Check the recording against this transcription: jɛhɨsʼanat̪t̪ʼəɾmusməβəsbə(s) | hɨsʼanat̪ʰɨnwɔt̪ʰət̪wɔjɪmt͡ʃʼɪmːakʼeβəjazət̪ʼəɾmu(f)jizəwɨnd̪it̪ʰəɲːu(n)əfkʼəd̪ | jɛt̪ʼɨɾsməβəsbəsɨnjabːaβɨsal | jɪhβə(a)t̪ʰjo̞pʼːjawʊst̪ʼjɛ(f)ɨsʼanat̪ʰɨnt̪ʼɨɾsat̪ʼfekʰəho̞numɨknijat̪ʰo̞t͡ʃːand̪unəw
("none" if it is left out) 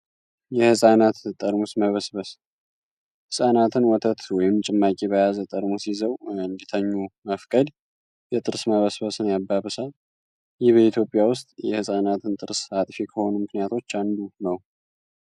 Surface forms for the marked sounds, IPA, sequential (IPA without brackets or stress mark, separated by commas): s, s, m, i, h